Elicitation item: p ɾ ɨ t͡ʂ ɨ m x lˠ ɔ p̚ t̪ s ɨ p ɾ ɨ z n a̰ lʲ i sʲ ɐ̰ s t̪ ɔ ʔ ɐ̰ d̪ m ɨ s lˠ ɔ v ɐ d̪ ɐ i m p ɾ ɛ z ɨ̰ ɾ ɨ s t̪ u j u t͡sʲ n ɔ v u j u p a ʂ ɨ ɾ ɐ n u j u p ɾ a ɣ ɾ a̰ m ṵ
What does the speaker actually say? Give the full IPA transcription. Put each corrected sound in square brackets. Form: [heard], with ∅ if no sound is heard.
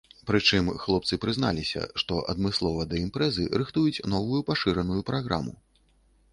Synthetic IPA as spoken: p ɾ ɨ t͡ʂ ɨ m x lˠ ɔ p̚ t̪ s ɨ p ɾ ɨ z n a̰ lʲ i sʲ ɐ̰ [ʂ] t̪ ɔ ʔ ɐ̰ d̪ m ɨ s lˠ ɔ v ɐ d̪ ɐ i m p ɾ ɛ z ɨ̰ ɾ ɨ [x] t̪ u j u t͡sʲ n ɔ v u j u p a ʂ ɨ ɾ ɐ n u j u p ɾ a ɣ ɾ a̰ m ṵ